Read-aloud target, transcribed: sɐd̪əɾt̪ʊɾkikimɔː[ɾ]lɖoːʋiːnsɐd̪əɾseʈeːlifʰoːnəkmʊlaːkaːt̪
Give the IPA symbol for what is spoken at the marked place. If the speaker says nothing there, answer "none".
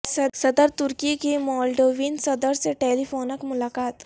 none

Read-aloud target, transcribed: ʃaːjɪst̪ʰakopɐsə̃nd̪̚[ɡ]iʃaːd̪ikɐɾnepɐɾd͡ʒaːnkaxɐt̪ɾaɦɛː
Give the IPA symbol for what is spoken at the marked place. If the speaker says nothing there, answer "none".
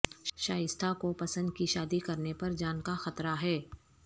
k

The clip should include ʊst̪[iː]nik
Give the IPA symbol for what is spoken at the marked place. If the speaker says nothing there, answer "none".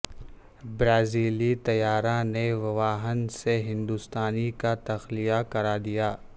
aː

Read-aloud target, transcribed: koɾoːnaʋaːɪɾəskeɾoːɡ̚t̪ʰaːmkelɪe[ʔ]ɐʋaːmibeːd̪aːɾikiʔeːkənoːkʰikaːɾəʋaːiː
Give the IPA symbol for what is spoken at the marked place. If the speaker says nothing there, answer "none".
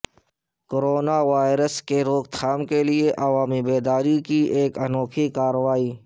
ʔ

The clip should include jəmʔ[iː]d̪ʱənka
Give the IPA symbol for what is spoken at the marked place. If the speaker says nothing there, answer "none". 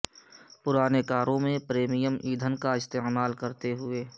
iː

